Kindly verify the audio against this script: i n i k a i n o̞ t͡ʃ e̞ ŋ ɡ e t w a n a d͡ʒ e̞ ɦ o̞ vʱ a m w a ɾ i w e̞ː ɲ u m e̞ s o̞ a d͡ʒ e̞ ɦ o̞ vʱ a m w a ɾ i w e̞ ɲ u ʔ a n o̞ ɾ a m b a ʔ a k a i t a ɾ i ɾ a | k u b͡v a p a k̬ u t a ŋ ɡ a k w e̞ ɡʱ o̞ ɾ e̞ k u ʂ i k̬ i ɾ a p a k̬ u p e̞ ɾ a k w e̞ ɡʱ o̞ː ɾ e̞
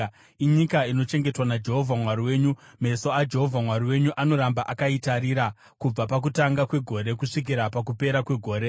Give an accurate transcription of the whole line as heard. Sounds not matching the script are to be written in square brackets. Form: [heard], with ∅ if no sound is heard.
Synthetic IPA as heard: i [ɲ] i k a i n o̞ t͡ʃ e̞ ŋ ɡ e t w a n a d͡ʒ e̞ ɦ o̞ vʱ a m w a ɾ i w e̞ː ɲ u m e̞ s o̞ a d͡ʒ e̞ ɦ o̞ vʱ a m w a ɾ i w e̞ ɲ u ʔ a n o̞ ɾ a m b a ʔ a k a i t a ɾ i ɾ a | k u b͡v a p a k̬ u t a ŋ ɡ a k w e̞ ɡʱ o̞ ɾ e̞ k u ʂ i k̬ i ɾ a p a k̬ u p e̞ ɾ a k w e̞ ɡʱ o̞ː ɾ e̞